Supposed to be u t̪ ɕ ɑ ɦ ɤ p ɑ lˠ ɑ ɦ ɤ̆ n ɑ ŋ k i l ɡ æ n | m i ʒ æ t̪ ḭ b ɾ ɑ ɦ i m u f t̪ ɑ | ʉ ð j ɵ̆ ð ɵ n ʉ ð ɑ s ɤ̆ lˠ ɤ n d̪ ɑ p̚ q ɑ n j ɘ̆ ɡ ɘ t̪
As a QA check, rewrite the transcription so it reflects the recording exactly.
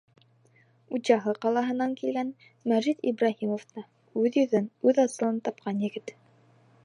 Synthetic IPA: u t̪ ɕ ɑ ɦ ɤ q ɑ lˠ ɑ ɦ ɤ̆ n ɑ ŋ k i l ɡ æ n | m æ ʒ i t̪ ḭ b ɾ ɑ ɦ i m o f t̪ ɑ | ʉ ð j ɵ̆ ð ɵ n ʉ ð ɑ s ɤ̆ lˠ ɤ n t̪ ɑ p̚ q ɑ n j ɘ̆ ɡ ɘ t̪